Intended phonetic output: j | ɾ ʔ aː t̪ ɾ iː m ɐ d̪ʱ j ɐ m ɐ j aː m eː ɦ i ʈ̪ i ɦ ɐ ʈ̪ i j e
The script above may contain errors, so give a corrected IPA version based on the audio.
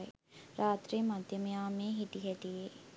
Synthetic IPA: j | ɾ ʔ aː t̪ ɾ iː m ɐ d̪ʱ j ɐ m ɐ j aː m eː ɦ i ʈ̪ i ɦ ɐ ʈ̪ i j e